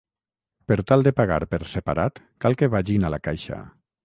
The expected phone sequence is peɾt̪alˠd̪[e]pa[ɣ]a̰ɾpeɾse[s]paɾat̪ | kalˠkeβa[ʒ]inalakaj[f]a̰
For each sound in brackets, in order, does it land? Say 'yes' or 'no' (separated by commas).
yes, yes, no, yes, no